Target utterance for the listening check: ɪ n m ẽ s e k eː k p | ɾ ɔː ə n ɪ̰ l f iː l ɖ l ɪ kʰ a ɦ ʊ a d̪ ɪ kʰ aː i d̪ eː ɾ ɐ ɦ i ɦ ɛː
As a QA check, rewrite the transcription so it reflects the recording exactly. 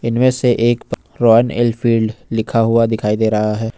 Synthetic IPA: ɪ n m ẽ s e ʔ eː k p | ɾ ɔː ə n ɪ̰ l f iː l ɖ l ɪ kʰ a ɦ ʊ a d̪ ɪ kʰ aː i d̪ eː ɾ ɐ ɦ a ɦ ɛː